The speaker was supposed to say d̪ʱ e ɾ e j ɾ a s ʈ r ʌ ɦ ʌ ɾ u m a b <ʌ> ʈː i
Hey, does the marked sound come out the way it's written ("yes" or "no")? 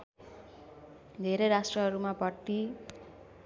yes